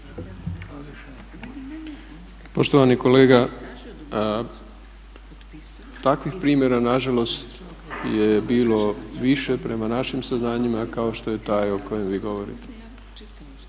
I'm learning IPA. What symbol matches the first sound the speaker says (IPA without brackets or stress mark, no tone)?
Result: p